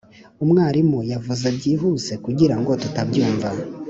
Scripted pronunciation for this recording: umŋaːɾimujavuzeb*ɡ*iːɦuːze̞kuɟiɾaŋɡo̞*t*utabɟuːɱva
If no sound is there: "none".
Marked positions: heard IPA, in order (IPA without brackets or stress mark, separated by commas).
ɟ, t